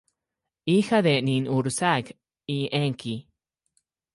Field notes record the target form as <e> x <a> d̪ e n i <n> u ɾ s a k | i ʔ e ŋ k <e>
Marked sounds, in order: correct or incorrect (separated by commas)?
incorrect, correct, correct, incorrect